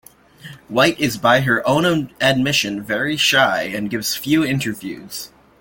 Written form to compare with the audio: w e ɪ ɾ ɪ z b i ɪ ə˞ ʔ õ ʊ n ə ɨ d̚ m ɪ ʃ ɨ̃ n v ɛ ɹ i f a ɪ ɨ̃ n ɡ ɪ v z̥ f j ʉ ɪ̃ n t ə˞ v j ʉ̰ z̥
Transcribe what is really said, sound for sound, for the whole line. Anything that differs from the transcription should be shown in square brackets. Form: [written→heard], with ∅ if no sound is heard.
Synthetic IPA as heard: w [e→a] ɪ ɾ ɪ z b [i→a] ɪ ə˞ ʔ õ [ʊ→ʊ̃] n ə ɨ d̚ m ɪ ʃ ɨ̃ n v ɛ ɹ i [f→ʃ] a ɪ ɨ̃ n ɡ ɪ v z̥ f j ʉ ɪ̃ n t ə˞ v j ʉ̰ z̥